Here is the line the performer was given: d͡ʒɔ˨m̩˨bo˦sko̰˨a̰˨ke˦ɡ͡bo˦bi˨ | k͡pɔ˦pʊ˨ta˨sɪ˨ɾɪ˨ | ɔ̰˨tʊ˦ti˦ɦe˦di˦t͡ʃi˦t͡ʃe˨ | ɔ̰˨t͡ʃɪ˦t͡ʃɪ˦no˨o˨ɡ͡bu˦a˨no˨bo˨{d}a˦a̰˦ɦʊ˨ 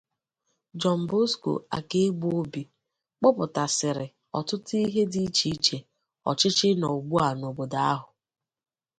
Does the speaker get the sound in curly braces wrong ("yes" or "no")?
no